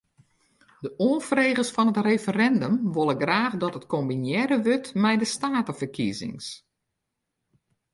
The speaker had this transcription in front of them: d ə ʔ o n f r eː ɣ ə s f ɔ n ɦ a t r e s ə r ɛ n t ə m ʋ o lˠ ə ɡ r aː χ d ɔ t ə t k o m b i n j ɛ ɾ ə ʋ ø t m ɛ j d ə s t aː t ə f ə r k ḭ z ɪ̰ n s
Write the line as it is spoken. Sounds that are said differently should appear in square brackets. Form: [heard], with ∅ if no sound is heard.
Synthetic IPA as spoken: d ə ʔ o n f r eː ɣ ə s f ɔ n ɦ [ə] t r e [f] ə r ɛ n [d] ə m ʋ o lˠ ə ɡ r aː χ d ɔ t ə t k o m b i n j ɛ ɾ ə ʋ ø t m ɛ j d ə s t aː t ə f ə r k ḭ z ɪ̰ [ŋ] s

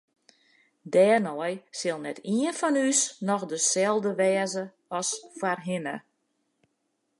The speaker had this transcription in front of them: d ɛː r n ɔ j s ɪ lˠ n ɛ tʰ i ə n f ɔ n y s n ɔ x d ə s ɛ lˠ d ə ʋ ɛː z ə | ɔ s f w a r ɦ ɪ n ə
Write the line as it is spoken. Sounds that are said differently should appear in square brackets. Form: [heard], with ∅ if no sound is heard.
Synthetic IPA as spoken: d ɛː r n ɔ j s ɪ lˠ n ɛ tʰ i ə n f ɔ n y s n ɔ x d ə s ɛ lˠ d ə ʋ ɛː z ə | ɔ s f w a r ɦ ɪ n ə

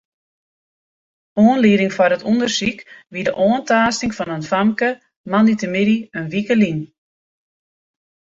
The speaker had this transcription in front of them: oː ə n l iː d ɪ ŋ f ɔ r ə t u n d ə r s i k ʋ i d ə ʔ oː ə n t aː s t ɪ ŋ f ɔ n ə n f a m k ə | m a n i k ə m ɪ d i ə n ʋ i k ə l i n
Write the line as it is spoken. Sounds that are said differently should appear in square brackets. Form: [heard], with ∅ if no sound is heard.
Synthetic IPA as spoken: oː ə n l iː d ɪ ŋ f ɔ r ə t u n d ə r s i k ʋ i d ə ʔ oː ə n t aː s t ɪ ŋ f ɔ n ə n f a m k ə | m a n i [t] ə m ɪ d i ə n ʋ i k ə l i n

